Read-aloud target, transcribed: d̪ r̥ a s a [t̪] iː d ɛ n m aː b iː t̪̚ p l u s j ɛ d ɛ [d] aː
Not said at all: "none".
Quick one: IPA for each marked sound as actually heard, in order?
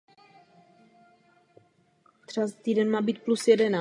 t̪, n

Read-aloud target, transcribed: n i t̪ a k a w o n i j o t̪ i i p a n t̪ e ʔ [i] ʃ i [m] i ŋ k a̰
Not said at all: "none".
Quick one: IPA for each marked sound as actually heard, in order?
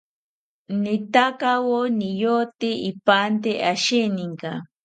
a, n

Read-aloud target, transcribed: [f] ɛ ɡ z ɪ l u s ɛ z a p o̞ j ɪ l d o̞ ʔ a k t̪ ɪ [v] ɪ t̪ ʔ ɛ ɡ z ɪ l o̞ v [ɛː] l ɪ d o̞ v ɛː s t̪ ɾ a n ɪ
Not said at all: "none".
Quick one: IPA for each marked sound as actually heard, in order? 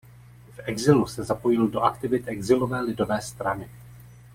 f, v, ɛː

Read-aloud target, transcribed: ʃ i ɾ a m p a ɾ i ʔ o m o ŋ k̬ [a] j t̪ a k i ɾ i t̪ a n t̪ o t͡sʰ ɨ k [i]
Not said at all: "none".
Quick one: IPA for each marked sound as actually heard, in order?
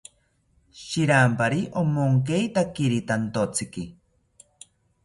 e, i

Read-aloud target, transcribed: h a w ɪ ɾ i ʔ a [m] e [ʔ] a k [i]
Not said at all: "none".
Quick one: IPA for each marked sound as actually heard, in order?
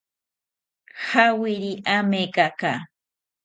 m, k, a

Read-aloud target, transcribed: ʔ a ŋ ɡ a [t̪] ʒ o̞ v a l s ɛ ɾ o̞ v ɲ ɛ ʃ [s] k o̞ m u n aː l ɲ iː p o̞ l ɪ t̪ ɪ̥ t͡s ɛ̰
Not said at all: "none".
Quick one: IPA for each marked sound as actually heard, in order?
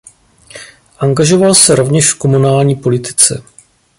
none, f

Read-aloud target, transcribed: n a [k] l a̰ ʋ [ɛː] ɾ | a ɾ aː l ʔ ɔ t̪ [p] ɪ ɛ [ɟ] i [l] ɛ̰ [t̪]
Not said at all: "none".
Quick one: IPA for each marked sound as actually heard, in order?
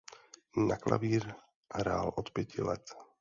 k, iː, p, c, l, t̪

